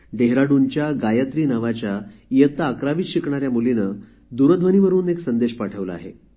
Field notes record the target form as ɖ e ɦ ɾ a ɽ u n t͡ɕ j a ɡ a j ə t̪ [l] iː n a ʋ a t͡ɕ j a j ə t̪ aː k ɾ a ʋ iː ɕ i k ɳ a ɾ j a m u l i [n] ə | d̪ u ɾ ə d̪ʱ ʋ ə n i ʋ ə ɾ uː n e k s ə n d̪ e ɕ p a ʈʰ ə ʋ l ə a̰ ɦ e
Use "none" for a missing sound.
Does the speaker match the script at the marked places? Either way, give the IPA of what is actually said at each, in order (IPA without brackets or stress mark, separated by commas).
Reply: ɾ, n